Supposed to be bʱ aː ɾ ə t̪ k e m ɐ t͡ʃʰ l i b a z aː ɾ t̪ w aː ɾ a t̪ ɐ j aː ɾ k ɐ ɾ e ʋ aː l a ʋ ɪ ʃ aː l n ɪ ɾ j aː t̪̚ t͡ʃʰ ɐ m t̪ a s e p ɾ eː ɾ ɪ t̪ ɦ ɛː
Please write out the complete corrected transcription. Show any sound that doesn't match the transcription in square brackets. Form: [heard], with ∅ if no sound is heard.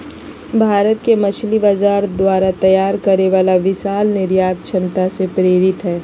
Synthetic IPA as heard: bʱ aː ɾ ə t̪ k e m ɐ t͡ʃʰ l i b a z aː ɾ [d̪] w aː ɾ a t̪ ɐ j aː ɾ k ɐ ɾ e ʋ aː l a ʋ ɪ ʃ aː l n ɪ ɾ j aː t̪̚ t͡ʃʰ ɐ m t̪ a s e p ɾ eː ɾ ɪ t̪ ɦ ɛː